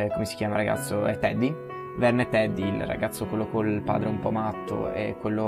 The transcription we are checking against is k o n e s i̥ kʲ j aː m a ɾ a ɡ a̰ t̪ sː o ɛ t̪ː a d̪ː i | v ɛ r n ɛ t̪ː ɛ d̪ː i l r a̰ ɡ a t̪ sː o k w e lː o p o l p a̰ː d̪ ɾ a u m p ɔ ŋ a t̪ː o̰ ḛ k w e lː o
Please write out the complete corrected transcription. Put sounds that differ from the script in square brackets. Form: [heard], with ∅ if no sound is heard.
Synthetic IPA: k o [m] e s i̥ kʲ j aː m a ɾ a ɡ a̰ t̪ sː o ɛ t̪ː [ɛ] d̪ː i | v ɛ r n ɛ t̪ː ɛ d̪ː i l r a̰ ɡ a t̪ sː o k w e lː o [k] o l p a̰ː d̪ ɾ [e] u m p ɔ [m] a t̪ː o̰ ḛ k w e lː o